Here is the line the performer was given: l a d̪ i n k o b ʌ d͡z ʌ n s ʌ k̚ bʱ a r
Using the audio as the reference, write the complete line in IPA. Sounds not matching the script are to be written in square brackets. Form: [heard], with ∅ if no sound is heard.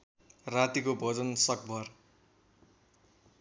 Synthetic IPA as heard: [r] a [t̪] i [∅] k o b ʌ d͡z ʌ n s ʌ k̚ bʱ [ʌ] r